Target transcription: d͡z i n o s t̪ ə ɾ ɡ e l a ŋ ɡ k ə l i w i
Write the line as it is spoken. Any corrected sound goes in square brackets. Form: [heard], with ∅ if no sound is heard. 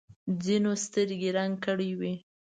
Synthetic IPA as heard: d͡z i n o s t̪ ə ɾ ɡ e [ɾ] a ŋ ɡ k ə [ɽ] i w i